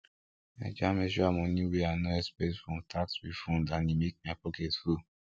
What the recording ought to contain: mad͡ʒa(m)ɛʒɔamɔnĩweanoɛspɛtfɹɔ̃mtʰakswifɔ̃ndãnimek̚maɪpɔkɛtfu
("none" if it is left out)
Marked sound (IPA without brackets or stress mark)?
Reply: m